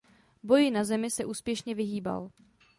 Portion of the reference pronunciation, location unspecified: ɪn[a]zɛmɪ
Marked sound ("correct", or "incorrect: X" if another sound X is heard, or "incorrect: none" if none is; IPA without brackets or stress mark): correct